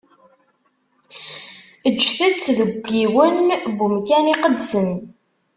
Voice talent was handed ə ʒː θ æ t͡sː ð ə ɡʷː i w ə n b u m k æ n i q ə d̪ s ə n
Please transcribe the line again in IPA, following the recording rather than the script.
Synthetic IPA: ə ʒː θ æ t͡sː ð ə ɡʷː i w ə n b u m k æ n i q ə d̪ s ə n